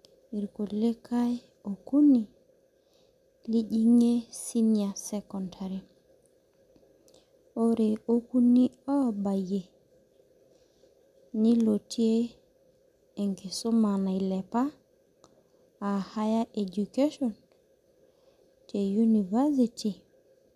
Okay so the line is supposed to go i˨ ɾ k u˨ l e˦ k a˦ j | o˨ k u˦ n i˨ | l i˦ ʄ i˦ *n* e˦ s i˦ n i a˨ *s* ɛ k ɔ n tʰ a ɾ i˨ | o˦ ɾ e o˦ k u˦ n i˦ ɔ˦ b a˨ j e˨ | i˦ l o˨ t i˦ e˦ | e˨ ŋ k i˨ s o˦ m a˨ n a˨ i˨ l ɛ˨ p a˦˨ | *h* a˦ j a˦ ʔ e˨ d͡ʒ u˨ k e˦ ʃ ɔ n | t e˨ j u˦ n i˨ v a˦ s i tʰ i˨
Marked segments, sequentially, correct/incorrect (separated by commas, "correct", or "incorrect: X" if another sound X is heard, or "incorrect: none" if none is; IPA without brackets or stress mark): incorrect: ŋ, correct, correct